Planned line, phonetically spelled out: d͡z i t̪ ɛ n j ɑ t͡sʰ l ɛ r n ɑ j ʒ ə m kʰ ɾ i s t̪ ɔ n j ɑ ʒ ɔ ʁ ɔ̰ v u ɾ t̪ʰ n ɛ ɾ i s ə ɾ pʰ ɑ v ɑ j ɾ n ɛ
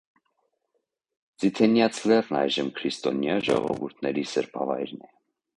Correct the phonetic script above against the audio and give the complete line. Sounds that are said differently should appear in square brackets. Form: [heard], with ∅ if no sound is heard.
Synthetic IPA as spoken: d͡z i [t̪ʰ] ɛ n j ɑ t͡sʰ l ɛ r n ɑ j ʒ ə m kʰ ɾ i s t̪ ɔ n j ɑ ʒ ɔ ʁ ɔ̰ v u ɾ t̪ʰ n ɛ ɾ i s ə ɾ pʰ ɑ v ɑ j ɾ n ɛ